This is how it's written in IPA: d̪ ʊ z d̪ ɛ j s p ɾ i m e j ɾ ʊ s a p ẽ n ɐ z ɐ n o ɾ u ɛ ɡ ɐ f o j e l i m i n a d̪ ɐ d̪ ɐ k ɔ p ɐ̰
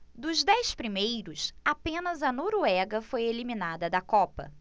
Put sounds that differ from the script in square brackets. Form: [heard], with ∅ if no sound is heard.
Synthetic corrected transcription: d̪ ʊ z d̪ ɛ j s p ɾ i m e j ɾ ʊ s a p ẽ n ɐ z ɐ n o ɾ u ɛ ɡ ɐ f o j e l i m i n a d̪ ɐ d̪ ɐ k ɔ p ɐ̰